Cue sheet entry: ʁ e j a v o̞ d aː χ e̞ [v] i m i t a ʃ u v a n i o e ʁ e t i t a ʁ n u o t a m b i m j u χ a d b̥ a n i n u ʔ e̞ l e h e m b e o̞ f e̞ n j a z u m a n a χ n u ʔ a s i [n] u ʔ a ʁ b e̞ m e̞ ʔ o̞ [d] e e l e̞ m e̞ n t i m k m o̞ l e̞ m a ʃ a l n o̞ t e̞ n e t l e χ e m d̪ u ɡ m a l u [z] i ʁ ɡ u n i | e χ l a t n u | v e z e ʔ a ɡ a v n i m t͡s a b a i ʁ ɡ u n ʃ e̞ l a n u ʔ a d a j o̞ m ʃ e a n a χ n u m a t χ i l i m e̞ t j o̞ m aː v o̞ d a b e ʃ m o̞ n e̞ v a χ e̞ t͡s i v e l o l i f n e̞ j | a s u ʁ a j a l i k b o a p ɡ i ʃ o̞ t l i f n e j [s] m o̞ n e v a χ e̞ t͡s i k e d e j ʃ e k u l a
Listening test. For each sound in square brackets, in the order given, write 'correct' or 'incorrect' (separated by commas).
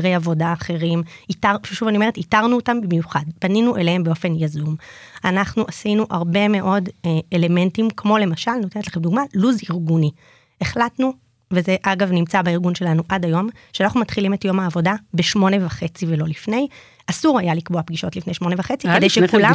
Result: incorrect, correct, correct, correct, incorrect